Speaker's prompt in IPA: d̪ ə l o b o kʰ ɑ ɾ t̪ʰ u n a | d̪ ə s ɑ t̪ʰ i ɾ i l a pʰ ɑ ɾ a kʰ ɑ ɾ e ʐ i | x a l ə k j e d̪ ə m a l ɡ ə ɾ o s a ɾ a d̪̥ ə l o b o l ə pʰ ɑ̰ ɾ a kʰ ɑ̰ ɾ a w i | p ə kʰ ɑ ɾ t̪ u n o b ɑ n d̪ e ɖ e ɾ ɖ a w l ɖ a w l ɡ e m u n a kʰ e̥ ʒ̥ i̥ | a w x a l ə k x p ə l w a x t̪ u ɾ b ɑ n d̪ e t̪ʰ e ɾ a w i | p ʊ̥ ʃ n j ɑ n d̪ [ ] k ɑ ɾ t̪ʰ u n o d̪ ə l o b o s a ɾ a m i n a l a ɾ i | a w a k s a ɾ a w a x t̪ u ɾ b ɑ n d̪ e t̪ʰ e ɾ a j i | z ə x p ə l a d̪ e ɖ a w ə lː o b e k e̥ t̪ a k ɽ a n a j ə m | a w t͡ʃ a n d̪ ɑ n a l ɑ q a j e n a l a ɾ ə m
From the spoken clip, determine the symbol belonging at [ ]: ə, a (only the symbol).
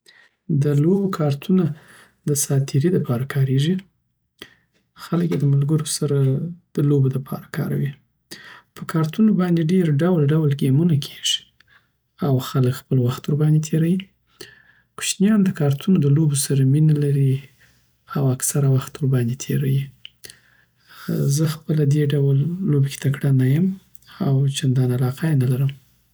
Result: ə